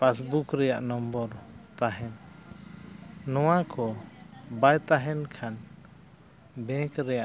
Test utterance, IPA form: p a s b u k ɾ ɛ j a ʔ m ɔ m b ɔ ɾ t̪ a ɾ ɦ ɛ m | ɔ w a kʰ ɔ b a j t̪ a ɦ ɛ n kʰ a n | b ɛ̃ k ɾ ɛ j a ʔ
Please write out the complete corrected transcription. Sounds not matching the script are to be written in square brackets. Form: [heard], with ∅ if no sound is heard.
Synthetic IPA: p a s b u k ɾ ɛ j a ʔ [n] ɔ m b ɔ ɾ t̪ a [∅] ɦ ɛ [n] | ɔ w a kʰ ɔ b a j t̪ a ɦ ɛ n kʰ a n | b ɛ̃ k ɾ ɛ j a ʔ